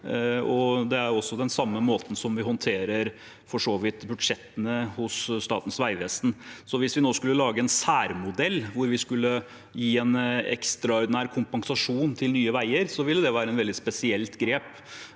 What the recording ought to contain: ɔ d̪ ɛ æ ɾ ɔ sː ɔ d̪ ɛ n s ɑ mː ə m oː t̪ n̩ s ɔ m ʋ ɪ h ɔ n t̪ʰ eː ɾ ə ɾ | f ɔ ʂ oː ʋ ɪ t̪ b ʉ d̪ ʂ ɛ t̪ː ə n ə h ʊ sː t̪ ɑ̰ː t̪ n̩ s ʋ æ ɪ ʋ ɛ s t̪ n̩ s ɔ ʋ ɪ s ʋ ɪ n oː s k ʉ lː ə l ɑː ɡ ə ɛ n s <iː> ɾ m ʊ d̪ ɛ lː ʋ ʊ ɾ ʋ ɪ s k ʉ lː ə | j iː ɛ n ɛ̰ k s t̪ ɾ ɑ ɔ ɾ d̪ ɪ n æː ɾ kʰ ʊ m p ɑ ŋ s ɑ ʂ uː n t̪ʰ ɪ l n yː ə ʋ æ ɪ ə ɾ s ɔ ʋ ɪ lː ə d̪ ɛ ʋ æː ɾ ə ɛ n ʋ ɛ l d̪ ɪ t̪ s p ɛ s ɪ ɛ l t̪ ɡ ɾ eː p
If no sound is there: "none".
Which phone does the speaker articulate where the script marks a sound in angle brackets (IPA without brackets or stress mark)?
æː